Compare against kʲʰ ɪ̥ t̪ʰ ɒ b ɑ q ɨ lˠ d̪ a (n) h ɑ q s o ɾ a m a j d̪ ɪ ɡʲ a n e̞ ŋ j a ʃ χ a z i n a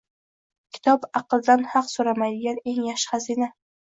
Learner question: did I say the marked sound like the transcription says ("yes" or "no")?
yes